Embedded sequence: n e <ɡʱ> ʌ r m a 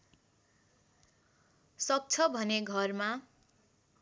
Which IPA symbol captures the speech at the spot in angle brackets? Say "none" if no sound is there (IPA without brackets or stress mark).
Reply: ɡʱ